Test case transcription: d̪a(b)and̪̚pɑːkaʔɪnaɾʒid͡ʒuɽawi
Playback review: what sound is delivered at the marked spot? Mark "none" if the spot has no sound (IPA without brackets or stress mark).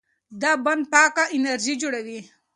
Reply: b